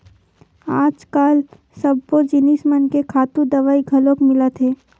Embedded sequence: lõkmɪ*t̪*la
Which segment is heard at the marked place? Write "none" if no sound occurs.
none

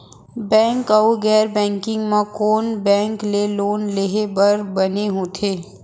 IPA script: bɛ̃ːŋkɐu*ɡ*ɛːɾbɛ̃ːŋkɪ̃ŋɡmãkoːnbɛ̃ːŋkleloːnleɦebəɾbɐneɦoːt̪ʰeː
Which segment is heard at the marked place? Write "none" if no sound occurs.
ɡ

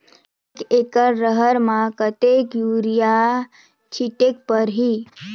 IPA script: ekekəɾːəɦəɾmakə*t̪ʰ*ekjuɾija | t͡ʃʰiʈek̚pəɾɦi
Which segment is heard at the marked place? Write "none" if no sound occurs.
t̪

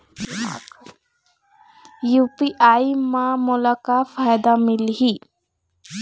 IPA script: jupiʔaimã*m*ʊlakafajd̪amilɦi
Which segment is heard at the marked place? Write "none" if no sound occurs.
m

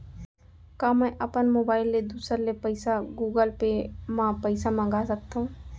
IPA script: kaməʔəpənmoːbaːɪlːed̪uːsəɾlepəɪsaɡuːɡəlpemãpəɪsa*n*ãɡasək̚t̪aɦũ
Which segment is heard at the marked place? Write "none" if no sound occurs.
m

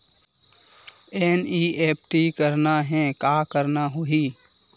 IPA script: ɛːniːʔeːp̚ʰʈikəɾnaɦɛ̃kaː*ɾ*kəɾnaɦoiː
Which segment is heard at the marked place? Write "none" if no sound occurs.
none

